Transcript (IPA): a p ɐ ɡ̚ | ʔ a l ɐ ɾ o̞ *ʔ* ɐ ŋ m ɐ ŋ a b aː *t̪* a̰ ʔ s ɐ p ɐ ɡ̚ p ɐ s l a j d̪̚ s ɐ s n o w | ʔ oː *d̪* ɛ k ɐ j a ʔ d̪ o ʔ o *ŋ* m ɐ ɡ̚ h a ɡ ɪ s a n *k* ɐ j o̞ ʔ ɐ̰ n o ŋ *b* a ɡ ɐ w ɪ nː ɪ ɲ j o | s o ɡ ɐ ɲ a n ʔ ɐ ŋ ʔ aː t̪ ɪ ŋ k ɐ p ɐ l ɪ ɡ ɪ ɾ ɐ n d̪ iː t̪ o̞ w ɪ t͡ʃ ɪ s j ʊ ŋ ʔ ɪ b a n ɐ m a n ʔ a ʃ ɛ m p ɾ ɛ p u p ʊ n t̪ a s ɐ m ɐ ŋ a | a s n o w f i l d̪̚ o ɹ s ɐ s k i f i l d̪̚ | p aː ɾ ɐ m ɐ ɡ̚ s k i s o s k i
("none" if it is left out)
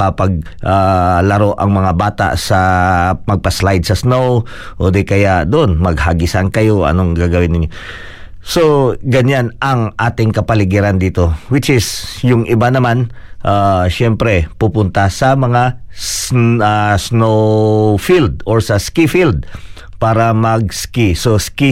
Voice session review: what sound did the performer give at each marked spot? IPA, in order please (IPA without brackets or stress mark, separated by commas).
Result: ʔ, t̪, d̪, n, k, ɡ